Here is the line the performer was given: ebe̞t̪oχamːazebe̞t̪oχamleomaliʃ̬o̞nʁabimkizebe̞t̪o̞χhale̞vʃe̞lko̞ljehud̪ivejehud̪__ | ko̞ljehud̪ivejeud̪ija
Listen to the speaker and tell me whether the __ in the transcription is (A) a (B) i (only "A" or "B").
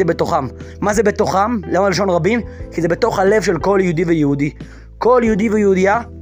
B